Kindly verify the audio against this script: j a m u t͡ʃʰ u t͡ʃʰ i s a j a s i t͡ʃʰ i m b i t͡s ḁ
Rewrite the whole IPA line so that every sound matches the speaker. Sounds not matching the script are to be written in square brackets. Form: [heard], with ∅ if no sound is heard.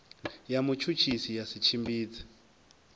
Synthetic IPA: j a m u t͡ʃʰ u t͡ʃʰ i s [i] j a s i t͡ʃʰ i m b [iː] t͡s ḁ